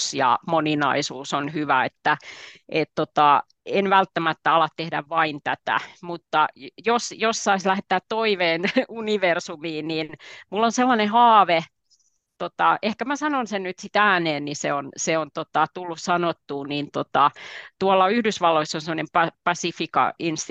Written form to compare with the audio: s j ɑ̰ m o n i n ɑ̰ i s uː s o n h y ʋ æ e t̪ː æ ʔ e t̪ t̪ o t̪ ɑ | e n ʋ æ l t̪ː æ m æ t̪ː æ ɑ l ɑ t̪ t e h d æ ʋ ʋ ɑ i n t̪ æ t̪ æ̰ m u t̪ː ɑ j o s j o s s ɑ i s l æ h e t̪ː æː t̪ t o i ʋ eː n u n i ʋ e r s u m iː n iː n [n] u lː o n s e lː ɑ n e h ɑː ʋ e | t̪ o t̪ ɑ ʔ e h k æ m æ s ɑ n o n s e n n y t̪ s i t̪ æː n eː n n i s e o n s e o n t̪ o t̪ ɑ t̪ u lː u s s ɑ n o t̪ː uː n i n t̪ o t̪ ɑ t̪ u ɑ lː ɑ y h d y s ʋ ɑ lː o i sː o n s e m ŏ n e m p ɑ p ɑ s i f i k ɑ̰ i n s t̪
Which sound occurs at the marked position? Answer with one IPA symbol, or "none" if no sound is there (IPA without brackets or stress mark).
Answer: m